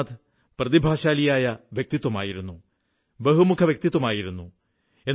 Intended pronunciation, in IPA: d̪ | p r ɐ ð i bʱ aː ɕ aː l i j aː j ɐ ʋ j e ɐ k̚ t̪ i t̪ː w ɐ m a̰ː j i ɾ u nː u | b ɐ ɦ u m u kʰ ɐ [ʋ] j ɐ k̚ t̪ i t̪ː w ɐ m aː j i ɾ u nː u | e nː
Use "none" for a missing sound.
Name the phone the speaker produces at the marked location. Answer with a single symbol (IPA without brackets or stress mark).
ʋ